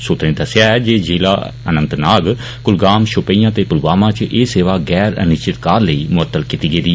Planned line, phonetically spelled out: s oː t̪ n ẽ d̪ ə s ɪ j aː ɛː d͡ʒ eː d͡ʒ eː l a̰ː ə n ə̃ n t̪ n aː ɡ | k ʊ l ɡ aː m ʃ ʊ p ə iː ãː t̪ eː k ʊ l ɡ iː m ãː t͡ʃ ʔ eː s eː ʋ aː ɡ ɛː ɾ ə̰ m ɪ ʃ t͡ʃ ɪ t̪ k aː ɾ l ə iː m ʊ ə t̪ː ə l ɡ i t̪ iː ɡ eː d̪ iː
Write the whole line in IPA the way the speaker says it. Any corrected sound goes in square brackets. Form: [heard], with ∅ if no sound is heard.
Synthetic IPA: s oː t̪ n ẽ d̪ ə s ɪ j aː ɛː d͡ʒ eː d͡ʒ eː l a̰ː ə n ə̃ n t̪ n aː ɡ | k ʊ l ɡ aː m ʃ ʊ p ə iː ãː t̪ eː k ʊ l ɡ [aː] m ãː t͡ʃ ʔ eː s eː ʋ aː ɡ ɛː ɾ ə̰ [n] ɪ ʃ t͡ʃ ɪ t̪ k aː ɾ l ə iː m ʊ ə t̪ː ə l [k] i t̪ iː ɡ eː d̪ iː